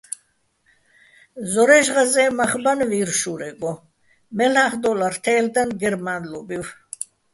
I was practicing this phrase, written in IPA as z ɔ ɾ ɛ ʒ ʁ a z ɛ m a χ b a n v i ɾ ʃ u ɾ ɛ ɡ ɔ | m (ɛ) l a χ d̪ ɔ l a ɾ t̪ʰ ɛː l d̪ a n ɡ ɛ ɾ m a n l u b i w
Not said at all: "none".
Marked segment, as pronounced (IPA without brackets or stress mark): ɛ